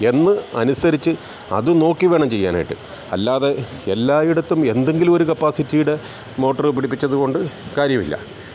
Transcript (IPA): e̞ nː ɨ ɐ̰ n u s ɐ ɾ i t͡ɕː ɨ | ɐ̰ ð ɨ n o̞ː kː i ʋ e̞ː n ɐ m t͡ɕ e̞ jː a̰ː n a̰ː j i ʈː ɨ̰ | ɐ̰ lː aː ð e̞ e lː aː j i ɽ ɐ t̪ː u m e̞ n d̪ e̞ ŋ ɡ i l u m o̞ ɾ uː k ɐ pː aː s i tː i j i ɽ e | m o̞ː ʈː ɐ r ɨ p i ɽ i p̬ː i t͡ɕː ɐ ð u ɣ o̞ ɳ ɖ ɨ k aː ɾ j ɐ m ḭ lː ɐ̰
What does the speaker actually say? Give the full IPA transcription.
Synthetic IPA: e̞ nː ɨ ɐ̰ n u s ɐ ɾ i t͡ɕː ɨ | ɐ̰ ð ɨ n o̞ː kː i ʋ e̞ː ɳ ɐ m t͡ɕ e̞ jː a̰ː n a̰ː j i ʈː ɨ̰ | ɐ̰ lː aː ð e̞ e lː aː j i ɽ ɐ t̪ː u m e̞ n d̪ e̞ ŋ ɡ i l u m o̞ ɾ u k ɐ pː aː s i tː i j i ɽ e | m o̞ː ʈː ɐ r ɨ p i ɽ i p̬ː i t͡ɕː ɐ ð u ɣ o̞ ɳ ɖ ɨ k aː ɾ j ɐ m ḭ lː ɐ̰

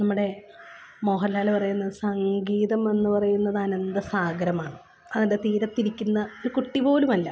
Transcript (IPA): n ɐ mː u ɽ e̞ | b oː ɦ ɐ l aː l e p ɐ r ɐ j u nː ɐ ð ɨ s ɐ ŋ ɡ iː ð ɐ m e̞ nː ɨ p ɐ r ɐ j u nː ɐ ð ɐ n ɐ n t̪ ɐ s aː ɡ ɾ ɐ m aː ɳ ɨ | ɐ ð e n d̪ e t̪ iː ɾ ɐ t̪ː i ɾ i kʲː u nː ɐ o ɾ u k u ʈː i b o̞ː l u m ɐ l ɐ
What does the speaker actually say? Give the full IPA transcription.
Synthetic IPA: n ɐ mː u ɽ e̞ | m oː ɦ ɐ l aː l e p ɐ r ɐ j u nː ɐ ð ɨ s ɐ ŋ ɡ iː ð ɐ m e̞ nː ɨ p ɐ r ɐ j u nː ɐ ð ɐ n ɐ n d̪ ɐ s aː ɡ ɾ ɐ m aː ɳ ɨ | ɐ ð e n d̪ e t̪ iː ɾ ɐ t̪ː i ɾ i kʲː u nː ɐ o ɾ u k u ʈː i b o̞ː l u m ɐ lː ɐ

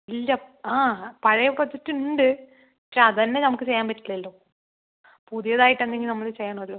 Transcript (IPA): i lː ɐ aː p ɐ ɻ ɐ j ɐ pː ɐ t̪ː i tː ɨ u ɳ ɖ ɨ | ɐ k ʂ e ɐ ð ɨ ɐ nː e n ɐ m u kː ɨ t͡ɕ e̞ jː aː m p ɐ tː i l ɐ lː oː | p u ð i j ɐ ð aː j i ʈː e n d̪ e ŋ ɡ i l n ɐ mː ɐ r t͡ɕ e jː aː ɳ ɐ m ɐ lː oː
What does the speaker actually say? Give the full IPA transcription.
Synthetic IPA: i lː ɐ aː p ɐ ɻ ɐ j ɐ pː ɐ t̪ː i tː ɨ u ɳ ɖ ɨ | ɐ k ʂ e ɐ ð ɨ ɐ nː e n ɐ m u kː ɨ t͡ɕ e̞ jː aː m p ɐ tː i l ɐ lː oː | p u ð i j ɐ ð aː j i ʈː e n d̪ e ŋ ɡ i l n ɐ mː ɐ ɭ t͡ɕ e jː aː ɳ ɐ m ɐ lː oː

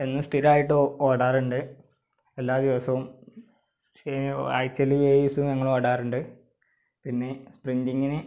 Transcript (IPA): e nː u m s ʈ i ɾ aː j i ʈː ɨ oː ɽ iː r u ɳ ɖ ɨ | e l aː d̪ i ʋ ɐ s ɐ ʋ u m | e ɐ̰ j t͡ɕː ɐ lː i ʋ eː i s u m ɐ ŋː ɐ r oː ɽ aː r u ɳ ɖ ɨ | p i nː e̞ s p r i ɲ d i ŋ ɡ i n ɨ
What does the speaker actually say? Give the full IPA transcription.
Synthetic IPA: e nː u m s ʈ i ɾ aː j i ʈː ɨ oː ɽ aː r u ɳ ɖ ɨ | e lː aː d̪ i ʋ ɐ s ɐ ʋ u m | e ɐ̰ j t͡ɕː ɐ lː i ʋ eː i s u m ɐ ŋː ɐ ɭ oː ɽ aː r u ɳ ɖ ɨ | p i nː e̞ s p r i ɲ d i ŋ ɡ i n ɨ

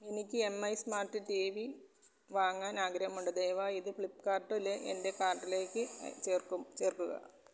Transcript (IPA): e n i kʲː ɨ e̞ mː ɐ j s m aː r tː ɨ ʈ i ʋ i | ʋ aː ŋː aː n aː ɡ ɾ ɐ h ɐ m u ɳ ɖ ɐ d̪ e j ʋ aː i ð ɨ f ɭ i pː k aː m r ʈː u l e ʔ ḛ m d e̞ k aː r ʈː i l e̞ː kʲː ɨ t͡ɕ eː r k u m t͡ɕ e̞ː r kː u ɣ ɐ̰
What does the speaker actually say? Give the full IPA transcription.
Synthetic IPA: e n i kʲː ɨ e̞ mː ɐ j s m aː r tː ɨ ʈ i ʋ i | ʋ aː ŋː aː n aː ɡ ɾ ɐ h ɐ m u ɳ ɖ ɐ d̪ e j ʋ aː i ð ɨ f ɭ i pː k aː r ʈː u l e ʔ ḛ n d e̞ k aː r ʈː i l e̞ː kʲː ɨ t͡ɕ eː r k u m t͡ɕ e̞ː r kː u ɣ ɐ̰

